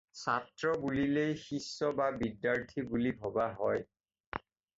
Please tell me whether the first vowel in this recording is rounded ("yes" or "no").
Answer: no